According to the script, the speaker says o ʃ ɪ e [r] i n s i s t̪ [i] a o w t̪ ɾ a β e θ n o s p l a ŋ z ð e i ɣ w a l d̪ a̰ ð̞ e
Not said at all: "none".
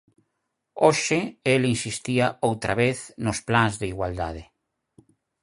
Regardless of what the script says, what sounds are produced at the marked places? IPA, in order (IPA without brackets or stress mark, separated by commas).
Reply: l, i